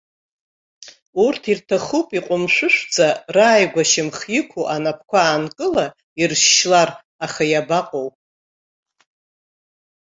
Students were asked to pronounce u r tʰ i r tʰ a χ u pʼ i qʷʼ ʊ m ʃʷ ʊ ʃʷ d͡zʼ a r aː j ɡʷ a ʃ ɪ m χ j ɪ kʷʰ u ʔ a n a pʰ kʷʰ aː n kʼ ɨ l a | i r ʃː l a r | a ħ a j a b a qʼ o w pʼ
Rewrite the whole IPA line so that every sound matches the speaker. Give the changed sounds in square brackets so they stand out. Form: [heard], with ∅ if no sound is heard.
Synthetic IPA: u r tʰ i r tʰ a χ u pʼ i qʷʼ ʊ m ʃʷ ʊ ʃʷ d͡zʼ a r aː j ɡʷ a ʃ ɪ m χ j ɪ kʷʰ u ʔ a n a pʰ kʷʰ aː n kʼ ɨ l a | i r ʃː l a r | a [χ] a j a b a qʼ o w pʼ